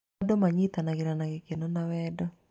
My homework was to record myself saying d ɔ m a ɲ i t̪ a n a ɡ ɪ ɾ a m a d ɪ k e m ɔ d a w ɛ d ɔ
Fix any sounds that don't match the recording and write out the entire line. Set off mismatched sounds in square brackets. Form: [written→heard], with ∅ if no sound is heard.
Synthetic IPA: d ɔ m a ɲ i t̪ a n a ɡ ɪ ɾ a [m→n] a [d→ɡ] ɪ k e [m→n] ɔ [d→n] a w ɛ d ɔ